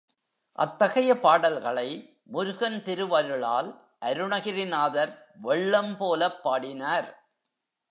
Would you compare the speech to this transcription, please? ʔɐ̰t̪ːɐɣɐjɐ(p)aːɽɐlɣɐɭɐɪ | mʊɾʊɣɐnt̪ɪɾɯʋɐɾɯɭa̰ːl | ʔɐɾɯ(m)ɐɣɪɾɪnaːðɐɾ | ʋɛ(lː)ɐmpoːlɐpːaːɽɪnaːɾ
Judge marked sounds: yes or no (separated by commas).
yes, no, no